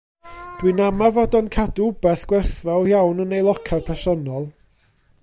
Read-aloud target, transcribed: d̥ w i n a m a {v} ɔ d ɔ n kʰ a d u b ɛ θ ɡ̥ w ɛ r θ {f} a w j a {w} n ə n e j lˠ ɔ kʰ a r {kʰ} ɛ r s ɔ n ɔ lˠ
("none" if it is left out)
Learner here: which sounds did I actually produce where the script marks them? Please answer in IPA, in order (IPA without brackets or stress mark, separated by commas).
v, v, w, pʰ